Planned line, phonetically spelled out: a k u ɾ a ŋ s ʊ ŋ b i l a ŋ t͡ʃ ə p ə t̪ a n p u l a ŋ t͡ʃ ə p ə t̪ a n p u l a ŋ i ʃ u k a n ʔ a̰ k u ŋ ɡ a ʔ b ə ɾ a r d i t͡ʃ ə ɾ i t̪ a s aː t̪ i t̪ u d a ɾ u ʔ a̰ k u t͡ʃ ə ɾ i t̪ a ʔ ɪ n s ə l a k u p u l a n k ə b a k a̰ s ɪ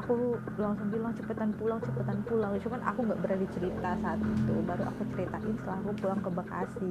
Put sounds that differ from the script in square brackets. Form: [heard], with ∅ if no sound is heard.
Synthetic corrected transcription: a k u [l] a ŋ s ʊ ŋ b i l a ŋ t͡ʃ ə p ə t̪ a n p u l a ŋ t͡ʃ ə p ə t̪ a n p u l a ŋ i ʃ u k a n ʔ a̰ k u ŋ ɡ a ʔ b ə ɾ a r d i t͡ʃ ə ɾ i t̪ a s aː t̪ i t̪ u [b] a ɾ u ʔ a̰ k u t͡ʃ ə ɾ i t̪ a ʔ ɪ n s ə l a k u p u l a [ŋ] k ə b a k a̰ s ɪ